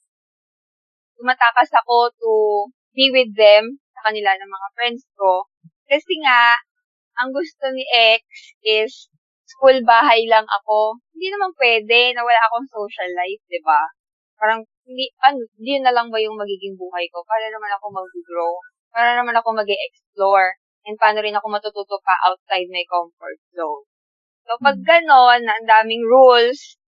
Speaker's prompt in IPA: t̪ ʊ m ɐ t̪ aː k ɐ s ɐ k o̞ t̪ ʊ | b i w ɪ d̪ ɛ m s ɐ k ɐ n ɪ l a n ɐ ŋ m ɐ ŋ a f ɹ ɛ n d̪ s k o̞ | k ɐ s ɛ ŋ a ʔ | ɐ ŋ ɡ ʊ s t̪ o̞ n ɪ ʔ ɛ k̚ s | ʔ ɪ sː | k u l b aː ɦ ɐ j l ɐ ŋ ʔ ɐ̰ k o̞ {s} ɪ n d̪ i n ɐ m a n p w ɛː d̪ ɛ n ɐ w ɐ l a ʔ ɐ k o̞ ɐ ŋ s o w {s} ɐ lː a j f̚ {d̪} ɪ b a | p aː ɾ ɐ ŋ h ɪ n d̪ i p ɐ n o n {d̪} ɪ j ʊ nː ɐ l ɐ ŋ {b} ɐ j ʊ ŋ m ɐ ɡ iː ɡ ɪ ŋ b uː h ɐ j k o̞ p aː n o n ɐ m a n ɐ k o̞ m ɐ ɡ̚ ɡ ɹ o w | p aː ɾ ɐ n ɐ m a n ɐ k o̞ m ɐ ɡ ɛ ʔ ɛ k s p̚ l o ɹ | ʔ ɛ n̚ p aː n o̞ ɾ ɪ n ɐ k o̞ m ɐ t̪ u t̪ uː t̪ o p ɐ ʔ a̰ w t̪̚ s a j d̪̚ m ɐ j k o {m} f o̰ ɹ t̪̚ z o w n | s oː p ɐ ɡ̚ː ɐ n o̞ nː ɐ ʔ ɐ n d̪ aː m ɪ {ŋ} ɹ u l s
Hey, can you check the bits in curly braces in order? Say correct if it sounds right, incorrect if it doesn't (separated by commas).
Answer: incorrect, incorrect, correct, correct, correct, correct, correct